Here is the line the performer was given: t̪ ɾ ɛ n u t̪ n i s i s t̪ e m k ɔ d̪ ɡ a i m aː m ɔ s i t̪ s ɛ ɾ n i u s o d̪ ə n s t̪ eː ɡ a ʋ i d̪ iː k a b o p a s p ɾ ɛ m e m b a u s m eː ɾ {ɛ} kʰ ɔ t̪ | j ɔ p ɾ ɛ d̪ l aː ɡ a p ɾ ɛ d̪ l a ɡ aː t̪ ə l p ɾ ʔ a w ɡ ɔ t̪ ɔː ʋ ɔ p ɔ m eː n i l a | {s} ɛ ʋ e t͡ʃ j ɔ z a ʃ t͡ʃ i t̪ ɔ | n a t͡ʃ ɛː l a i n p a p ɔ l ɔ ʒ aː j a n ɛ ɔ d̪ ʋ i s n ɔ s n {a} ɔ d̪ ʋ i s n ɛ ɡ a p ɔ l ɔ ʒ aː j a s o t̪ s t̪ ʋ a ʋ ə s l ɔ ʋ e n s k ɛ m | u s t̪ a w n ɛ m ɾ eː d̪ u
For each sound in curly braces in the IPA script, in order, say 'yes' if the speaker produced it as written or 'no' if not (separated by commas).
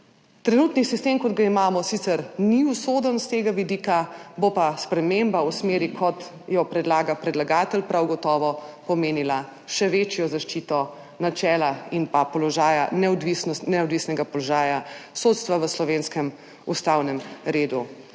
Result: no, no, no